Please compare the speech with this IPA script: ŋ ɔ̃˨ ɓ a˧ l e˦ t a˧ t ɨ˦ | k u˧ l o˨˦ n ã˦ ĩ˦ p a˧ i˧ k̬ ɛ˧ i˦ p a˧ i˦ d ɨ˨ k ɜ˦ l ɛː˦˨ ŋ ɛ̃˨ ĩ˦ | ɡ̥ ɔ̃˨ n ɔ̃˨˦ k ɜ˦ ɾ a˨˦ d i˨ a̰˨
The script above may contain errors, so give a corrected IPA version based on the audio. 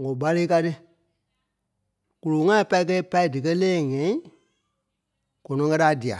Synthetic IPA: ŋ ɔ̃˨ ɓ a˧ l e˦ k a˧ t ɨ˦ | k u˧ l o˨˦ ŋ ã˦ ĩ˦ p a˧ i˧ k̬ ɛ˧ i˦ p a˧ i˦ d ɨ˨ k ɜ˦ l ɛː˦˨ ŋ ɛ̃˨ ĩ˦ | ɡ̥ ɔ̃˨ n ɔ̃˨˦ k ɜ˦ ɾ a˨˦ d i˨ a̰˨